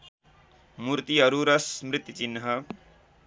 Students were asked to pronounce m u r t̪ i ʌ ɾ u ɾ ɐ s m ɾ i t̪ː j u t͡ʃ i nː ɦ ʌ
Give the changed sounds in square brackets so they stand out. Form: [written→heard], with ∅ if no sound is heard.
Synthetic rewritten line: m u [r→ɾ] t̪ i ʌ ɾ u ɾ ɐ s m ɾ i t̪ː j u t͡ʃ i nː ɦ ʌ

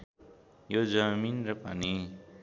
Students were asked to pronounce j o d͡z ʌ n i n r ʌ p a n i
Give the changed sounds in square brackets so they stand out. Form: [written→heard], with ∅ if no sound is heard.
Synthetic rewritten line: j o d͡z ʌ [n→m] i n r ʌ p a n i

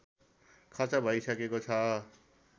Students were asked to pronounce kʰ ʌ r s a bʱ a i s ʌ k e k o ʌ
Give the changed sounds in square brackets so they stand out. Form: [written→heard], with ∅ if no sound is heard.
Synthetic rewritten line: kʰ ʌ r [s→t͡s] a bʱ [a→ʌ] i s ʌ k e k o ʌ

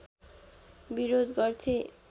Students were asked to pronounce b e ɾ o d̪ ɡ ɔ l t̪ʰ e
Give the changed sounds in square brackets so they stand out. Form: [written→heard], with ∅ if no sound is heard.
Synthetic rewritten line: b [e→i] ɾ o d̪ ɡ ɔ [l→ɾ] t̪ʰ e

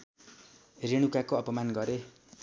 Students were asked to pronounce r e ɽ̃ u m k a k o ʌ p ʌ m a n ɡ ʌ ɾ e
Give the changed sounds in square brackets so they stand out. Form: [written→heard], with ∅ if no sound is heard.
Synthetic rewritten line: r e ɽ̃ u [m→∅] k a k o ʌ p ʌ m a n ɡ ʌ ɾ e

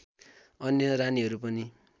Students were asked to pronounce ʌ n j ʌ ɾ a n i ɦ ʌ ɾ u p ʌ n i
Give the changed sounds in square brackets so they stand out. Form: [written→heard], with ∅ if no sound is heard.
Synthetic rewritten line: ʌ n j ʌ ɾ a n i ɦ ʌ ɾ u p ʌ n i

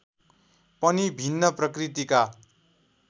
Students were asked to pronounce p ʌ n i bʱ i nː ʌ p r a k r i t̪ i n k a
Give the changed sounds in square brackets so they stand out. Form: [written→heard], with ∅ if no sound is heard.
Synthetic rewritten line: p ʌ n i bʱ i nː ʌ p r [a→ʌ] k r i t̪ i [n→∅] k a

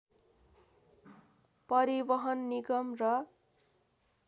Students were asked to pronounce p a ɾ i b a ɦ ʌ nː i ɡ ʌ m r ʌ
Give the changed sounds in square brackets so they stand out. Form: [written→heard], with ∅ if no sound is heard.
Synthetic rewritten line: p [a→ʌ] ɾ i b [a→ʌ] ɦ ʌ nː i ɡ ʌ m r ʌ

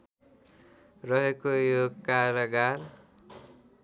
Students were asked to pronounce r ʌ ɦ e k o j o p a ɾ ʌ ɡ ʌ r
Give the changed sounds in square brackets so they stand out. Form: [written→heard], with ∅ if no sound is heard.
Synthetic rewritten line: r ʌ ɦ e k o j o [p→k] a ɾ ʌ ɡ [ʌ→a] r

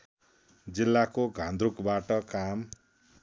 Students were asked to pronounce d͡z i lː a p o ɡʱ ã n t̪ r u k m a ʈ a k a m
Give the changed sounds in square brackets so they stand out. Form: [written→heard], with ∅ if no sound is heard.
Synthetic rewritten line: d͡z i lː a [p→k] o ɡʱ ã n [t̪→d̪] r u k [m→b] a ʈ [a→ʌ] k a m

